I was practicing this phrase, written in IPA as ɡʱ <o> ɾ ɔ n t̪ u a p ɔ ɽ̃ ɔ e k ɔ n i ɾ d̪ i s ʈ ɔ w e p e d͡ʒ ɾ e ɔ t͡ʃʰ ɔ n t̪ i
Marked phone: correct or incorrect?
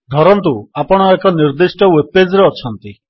incorrect